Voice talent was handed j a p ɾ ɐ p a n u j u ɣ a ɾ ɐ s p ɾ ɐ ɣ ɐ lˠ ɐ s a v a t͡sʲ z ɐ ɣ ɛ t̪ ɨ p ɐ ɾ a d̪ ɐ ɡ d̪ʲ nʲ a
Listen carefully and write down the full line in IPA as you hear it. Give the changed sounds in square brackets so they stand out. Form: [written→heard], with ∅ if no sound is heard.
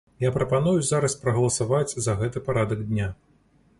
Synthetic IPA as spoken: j a p ɾ ɐ p a n u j u [ɣ→z] a ɾ ɐ s p ɾ ɐ ɣ ɐ lˠ ɐ s a v a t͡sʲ z ɐ ɣ ɛ t̪ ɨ p [ɐ→a] ɾ a d̪ ɐ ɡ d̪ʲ nʲ a